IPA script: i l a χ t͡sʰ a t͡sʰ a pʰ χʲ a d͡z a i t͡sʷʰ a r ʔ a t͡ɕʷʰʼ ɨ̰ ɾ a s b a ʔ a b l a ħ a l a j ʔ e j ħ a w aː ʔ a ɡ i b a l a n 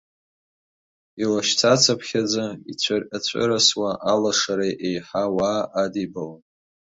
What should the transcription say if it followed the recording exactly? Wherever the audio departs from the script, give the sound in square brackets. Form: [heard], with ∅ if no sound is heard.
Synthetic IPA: i l a [ʃ] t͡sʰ a t͡sʰ a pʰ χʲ a d͡z a i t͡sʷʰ a r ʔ a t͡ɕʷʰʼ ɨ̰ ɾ a s [w] a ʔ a [∅] l a [ʂ] a [ɾ] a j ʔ e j ħ a w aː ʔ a [d] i b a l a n